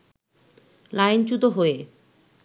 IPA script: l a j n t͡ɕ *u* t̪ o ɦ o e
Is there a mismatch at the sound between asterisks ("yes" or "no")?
no